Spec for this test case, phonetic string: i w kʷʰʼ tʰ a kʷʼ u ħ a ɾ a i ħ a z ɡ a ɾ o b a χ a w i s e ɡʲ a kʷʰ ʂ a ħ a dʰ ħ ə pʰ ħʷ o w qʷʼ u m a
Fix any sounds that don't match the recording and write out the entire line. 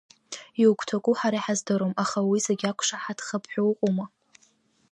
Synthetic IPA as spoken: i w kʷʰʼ tʰ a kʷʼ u ħ a ɾ a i ħ a z d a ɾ o m a χ a w i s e ɡʲ a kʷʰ ʂ a ħ a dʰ χ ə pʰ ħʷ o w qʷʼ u m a